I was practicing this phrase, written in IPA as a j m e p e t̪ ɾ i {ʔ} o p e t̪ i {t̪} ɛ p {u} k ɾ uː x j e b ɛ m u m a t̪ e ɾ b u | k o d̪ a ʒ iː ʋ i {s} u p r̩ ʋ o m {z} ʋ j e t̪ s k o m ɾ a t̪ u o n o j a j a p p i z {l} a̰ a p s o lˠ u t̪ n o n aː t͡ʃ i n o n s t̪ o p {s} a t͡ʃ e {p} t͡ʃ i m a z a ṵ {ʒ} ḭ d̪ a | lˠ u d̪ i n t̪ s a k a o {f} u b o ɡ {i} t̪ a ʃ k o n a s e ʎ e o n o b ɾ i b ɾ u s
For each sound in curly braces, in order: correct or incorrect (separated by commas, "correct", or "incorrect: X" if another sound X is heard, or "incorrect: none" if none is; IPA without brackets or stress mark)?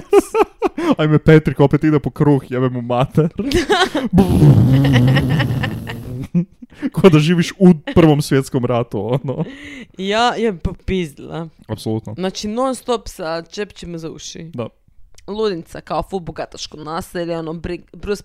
incorrect: k, incorrect: d̪, incorrect: o, incorrect: ʃ, incorrect: s, correct, correct, correct, incorrect: ʃ, correct, incorrect: a